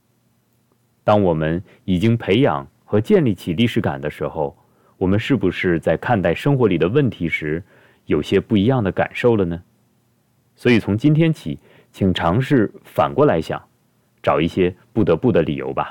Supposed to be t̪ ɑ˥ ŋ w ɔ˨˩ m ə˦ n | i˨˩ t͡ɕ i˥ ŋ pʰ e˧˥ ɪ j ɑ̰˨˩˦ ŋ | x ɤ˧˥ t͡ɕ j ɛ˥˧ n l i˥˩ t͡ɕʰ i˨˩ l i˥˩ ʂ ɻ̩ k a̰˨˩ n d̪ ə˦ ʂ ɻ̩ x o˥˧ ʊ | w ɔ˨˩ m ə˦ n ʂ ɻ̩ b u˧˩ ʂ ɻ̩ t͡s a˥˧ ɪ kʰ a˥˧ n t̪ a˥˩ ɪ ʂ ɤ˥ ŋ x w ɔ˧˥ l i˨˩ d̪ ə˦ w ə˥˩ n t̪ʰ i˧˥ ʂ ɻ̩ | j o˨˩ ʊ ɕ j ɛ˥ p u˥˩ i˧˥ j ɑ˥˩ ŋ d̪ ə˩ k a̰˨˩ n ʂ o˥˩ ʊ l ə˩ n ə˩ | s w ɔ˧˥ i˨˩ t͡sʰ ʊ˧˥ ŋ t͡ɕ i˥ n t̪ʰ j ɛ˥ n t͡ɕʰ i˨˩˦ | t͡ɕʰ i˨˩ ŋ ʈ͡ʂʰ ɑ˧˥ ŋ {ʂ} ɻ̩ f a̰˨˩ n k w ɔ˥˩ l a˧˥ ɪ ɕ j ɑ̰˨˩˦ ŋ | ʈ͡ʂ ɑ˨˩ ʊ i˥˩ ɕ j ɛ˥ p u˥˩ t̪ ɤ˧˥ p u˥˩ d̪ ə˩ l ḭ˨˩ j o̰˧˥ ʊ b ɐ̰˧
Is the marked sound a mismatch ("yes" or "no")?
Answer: no